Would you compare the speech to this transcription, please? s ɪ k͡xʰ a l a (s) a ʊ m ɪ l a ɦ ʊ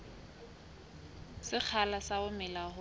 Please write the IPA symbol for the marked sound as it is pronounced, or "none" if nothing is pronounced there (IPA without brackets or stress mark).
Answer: s